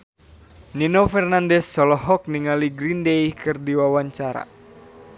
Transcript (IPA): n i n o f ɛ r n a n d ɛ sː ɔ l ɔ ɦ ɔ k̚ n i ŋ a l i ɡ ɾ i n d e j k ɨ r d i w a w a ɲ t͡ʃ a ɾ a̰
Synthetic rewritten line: n i n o f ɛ r n a n d ɛ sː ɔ l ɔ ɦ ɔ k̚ n i ŋ a l i ɡ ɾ i n d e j k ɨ r d i w a w a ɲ t͡ʃ a ɾ a̰